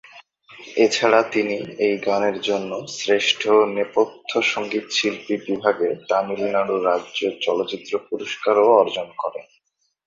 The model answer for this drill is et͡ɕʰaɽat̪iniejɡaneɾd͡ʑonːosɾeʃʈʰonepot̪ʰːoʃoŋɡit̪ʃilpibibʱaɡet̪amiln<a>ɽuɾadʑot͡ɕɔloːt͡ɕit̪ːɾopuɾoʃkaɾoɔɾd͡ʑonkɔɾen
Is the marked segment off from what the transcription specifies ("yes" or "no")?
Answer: no